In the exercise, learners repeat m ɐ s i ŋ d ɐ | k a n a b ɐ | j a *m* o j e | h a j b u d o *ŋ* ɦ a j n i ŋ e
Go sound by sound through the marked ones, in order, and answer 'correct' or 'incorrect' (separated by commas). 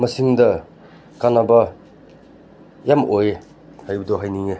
correct, incorrect